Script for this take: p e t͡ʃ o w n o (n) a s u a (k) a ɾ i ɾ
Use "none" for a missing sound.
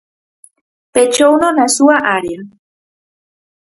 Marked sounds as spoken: n, ʔ

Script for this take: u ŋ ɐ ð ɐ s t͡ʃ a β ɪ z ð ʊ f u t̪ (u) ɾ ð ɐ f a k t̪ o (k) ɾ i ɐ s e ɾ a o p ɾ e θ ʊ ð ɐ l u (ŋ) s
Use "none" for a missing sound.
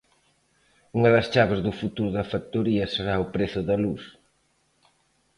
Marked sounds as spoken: u, none, none

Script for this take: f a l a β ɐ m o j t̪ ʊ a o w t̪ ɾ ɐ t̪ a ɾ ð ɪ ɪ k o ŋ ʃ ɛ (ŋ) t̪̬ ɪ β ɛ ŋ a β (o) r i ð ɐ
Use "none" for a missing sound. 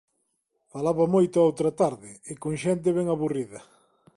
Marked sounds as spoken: n, u

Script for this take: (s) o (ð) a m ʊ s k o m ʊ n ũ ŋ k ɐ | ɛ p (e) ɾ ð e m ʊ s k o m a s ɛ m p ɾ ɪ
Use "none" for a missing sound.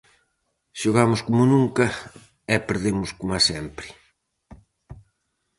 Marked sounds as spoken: ʃ, ɣ, e

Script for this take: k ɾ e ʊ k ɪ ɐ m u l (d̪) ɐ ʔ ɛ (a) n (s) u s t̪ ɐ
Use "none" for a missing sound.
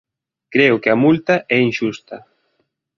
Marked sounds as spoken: t̪, i, ʃ

